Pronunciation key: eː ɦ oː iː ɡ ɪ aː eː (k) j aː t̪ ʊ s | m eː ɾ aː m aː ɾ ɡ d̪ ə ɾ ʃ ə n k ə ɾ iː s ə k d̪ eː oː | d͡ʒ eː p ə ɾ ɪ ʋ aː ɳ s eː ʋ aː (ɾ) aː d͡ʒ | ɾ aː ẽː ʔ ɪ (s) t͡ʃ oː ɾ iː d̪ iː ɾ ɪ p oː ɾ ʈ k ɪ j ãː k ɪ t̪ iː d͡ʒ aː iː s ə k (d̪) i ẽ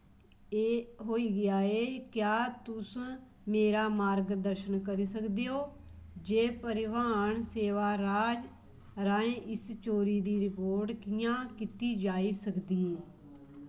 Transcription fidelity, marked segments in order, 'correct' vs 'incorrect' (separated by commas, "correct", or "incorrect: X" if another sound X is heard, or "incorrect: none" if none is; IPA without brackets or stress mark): correct, correct, correct, correct